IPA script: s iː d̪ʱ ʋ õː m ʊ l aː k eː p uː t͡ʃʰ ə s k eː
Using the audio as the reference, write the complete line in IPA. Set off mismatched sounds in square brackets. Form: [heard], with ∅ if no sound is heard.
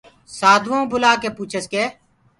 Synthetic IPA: s [aː] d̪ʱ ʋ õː [b] ʊ l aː k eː p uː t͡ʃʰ ə s k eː